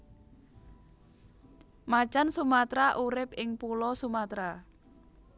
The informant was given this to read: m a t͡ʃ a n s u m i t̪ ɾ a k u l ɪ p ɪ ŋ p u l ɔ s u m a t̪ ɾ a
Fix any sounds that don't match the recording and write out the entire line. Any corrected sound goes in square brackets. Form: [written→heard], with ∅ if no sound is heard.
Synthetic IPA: m a t͡ʃ a n s u m [i→a] t̪ ɾ a [k→ʔ] u [l→ɾ] ɪ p ɪ ŋ p u l ɔ s u m a t̪ ɾ a